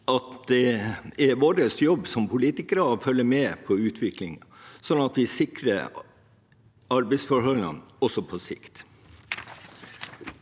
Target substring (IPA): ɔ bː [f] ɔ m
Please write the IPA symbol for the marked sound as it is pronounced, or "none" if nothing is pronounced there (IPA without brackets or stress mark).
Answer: s